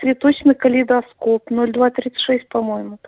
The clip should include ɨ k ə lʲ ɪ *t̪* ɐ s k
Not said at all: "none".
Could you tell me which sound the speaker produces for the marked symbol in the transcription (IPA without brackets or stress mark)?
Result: d̪